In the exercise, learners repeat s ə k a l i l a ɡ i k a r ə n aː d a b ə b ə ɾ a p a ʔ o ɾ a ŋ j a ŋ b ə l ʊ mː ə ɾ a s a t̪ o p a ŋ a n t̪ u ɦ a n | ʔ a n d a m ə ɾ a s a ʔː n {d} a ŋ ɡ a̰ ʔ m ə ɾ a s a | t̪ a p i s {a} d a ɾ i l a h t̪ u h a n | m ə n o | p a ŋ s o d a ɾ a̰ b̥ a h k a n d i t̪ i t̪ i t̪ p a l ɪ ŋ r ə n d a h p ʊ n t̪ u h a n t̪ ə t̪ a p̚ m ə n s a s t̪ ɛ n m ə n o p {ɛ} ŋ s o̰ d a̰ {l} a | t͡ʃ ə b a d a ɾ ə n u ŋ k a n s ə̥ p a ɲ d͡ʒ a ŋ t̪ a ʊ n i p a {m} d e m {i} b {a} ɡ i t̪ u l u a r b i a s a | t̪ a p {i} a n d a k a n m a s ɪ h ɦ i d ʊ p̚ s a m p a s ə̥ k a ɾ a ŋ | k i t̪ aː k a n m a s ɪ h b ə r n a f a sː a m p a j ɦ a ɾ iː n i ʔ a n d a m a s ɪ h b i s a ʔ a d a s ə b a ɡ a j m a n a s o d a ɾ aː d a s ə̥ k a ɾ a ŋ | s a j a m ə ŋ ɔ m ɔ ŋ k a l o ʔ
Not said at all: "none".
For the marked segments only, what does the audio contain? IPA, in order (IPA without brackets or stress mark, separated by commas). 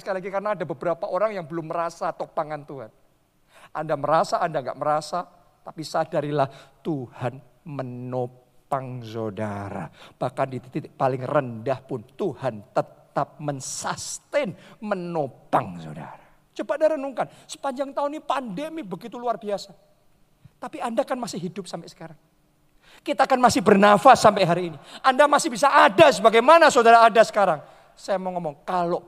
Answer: d, a, a, ɾ, n, i, ə, i